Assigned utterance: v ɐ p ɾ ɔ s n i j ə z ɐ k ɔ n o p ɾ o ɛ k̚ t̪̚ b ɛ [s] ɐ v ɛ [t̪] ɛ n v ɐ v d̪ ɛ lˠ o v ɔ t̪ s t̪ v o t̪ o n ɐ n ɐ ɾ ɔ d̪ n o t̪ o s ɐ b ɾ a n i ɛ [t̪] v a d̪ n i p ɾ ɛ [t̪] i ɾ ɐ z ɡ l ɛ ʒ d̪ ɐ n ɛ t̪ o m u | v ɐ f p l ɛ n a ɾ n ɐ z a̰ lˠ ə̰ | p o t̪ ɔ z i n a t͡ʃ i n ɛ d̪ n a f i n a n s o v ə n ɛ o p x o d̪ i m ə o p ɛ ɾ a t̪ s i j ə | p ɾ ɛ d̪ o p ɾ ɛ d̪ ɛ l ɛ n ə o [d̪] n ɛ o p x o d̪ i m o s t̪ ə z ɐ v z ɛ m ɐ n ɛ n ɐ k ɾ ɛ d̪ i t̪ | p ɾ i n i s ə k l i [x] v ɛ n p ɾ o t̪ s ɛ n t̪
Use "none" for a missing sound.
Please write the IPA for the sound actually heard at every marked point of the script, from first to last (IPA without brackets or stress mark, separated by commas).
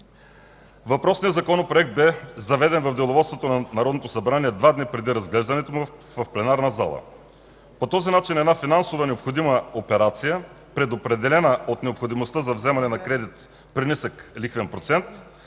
z, d̪, d̪, d̪, t̪, x